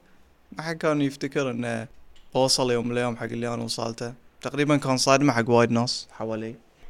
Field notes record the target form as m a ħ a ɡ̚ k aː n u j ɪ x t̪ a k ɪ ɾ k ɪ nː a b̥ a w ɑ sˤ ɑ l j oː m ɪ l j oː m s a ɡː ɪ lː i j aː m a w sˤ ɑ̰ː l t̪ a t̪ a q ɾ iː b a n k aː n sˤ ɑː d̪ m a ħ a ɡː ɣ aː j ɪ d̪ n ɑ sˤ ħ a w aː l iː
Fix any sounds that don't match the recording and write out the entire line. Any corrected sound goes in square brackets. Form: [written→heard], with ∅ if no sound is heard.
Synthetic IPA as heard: m a ħ a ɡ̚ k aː n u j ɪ [x→f] t̪ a k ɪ ɾ [k→ʔ] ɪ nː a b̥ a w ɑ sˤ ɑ l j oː m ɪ l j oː m [s→ħ] a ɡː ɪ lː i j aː [m→n] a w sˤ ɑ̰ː l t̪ a t̪ a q ɾ iː b a n k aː n sˤ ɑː d̪ m a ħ a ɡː [ɣ→w] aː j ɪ d̪ n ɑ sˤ ħ a w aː l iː